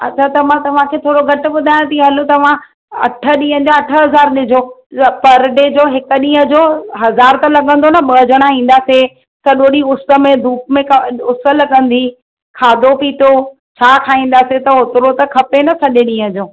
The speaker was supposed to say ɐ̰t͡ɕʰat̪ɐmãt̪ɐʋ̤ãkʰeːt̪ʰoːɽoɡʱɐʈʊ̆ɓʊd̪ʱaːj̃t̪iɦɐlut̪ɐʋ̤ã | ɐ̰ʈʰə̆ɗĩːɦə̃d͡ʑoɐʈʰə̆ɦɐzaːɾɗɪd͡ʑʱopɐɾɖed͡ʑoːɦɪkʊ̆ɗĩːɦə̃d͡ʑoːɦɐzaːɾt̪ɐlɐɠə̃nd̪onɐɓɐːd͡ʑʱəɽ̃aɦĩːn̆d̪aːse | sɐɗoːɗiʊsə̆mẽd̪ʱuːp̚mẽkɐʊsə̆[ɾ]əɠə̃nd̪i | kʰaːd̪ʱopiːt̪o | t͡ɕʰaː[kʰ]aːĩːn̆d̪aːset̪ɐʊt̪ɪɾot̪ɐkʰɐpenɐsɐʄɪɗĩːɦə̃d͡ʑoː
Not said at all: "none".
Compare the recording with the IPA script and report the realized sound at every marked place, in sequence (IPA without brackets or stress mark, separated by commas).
l, kʰ